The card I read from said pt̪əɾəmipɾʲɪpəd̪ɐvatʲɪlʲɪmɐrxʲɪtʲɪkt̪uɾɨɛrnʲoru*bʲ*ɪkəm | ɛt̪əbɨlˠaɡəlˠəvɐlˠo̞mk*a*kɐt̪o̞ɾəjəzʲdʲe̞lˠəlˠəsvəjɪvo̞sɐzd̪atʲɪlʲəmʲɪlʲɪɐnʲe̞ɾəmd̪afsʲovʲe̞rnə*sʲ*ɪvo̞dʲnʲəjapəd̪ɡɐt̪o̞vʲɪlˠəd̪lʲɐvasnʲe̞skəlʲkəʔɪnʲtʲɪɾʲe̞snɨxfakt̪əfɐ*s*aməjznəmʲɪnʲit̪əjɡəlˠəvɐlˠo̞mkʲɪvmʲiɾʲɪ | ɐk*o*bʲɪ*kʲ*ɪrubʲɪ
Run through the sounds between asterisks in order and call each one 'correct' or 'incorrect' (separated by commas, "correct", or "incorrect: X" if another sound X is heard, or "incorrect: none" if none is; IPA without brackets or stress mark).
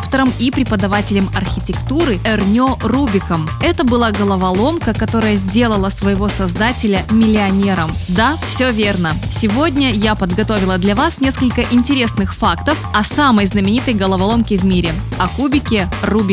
correct, incorrect: ə, correct, correct, incorrect: u, correct